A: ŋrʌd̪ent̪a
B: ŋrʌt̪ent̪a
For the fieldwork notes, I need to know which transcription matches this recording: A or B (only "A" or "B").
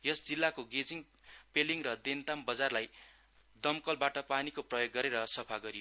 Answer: A